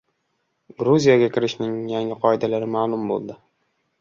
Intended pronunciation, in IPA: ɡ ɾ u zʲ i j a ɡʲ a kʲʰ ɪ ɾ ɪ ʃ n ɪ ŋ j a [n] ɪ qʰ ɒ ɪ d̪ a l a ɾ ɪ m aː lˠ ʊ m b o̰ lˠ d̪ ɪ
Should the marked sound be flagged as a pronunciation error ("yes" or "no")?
yes